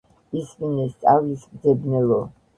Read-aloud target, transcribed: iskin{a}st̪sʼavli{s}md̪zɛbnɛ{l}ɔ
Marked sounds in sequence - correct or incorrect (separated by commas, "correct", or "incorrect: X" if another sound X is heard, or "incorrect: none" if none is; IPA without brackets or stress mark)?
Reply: incorrect: ɛ, correct, correct